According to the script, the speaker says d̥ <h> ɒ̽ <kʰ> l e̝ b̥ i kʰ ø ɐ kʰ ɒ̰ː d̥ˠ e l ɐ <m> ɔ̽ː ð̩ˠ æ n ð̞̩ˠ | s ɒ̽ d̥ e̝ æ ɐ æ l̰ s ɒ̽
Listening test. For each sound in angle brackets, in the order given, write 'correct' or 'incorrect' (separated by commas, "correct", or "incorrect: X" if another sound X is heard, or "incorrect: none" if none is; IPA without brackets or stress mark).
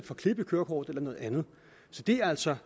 incorrect: f, correct, incorrect: n